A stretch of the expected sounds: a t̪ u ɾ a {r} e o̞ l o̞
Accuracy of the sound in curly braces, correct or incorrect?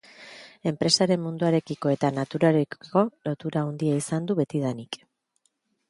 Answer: incorrect